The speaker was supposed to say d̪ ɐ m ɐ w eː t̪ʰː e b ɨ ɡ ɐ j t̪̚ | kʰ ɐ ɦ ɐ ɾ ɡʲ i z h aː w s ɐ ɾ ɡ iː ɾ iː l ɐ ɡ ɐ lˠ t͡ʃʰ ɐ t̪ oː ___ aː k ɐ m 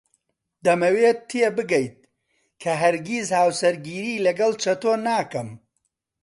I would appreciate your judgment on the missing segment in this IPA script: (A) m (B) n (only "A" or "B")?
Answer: B